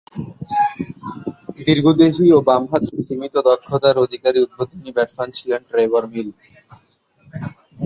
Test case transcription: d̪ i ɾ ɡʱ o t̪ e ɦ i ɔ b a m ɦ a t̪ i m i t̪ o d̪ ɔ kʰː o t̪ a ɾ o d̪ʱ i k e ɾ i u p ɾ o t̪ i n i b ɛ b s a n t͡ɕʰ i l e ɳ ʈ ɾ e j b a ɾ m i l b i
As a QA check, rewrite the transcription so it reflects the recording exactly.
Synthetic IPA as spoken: d̪ i ɾ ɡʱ o d̪ e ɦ i o b a m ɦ a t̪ i m i t̪ o d̪ ɔ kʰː o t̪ a ɾ o d̪ʱ i k a ɾ i u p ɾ o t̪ i n i b ɛ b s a n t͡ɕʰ i l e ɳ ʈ ɾ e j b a ɾ m i l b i